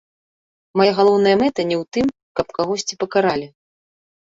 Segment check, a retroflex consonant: absent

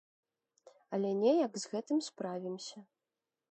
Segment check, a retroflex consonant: absent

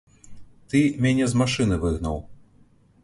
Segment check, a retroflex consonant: present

